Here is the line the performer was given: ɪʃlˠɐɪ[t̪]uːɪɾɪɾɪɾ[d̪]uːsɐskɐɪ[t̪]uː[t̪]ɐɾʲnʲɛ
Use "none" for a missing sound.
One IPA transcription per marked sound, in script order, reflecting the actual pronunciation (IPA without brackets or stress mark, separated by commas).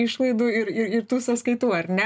d̪, t̪, t̪, none